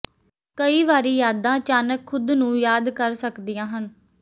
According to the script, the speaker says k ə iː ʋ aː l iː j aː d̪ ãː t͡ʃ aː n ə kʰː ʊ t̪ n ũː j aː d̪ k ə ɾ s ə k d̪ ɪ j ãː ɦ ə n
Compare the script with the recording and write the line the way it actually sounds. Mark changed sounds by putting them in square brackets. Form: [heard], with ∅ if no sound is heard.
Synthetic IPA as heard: k ə iː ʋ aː [ɾ] iː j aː d̪ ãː t͡ʃ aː n ə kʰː ʊ [d̪] n ũː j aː d̪ k ə ɾ s ə k d̪ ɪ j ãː ɦ ə n